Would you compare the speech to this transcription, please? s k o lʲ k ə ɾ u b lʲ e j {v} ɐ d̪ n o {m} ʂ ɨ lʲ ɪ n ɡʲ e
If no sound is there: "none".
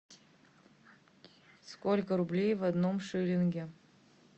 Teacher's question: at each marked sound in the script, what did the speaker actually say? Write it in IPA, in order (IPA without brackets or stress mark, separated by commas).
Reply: v, m